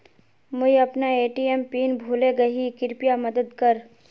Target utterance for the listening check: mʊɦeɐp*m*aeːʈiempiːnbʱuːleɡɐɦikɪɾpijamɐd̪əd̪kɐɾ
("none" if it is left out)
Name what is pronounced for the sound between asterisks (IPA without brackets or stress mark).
n